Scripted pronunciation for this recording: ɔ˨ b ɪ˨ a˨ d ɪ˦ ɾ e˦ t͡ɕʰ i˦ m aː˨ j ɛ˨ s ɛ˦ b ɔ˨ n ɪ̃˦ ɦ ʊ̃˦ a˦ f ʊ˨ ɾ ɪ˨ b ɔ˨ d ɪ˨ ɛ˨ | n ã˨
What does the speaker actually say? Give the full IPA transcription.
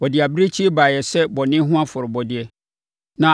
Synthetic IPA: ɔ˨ d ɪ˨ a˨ b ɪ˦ ɾ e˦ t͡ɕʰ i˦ b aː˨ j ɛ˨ s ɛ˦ b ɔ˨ n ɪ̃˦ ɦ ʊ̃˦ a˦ f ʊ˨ ɾ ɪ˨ b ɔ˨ d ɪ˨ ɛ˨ | n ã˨